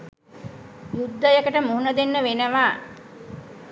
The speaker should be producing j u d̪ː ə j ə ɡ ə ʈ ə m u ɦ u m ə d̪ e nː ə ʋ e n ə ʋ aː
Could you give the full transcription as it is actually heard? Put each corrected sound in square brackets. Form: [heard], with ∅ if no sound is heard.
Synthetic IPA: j u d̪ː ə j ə [k] ə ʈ ə m u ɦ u [n] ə d̪ e nː ə ʋ e n ə ʋ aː